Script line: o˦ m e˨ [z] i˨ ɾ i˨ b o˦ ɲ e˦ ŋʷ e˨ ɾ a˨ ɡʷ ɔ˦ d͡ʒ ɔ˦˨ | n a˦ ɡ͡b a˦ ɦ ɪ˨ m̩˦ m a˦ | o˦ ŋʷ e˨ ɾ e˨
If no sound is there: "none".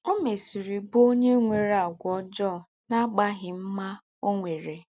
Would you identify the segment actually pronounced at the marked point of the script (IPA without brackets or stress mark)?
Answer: s